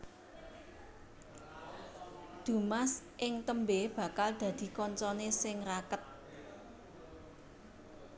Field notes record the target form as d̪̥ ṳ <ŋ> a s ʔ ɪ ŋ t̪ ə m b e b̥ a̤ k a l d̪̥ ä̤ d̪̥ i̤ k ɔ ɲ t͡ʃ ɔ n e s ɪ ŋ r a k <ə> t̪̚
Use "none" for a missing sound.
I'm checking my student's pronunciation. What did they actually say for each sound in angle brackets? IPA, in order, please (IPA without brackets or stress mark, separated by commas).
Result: m, ə